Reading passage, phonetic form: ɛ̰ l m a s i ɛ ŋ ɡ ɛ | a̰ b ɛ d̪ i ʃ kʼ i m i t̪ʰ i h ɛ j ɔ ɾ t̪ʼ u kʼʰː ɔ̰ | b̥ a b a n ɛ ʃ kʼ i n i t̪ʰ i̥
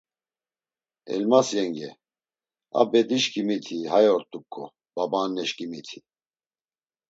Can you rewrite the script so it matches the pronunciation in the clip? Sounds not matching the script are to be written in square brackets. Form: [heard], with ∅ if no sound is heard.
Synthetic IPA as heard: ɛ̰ l m a s [j] ɛ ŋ ɡ ɛ | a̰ b ɛ d̪ i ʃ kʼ i m i t̪ʰ i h [a] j ɔ ɾ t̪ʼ u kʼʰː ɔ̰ | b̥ a b a n ɛ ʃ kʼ i [m] i t̪ʰ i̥